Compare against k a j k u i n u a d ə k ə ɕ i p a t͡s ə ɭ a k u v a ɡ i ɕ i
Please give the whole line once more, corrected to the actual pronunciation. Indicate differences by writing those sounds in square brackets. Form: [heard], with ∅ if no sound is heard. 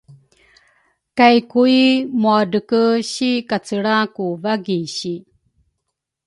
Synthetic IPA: k a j k u i [m] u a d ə k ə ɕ i [k] a t͡s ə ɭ a k u v a ɡ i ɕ i